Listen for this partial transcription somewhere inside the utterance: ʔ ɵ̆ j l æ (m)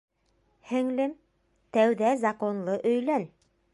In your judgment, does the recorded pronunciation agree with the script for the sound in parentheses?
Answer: no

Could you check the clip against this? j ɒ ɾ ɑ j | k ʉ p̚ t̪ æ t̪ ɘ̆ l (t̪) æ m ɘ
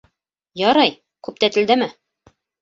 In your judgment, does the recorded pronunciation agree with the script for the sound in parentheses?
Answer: no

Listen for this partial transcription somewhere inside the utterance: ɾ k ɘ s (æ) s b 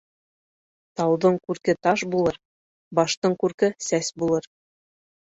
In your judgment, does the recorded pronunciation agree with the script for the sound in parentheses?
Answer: yes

